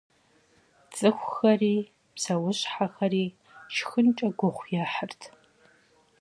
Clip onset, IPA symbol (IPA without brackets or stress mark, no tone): t͡sʼ